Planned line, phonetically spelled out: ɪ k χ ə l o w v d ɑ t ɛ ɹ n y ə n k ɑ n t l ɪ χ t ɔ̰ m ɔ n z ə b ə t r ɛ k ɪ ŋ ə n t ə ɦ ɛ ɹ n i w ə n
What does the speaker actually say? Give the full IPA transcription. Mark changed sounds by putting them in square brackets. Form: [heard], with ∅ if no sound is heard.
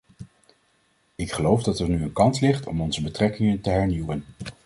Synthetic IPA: ɪ k χ ə l o w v d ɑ t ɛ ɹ n y ə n k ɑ n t l ɪ χ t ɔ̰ m ɔ n z ə b ə t r ɛ k ɪ ŋ ə n t ə ɦ ɛ ɹ n i w ə n